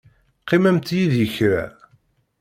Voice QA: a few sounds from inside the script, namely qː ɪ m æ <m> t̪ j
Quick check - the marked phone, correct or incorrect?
correct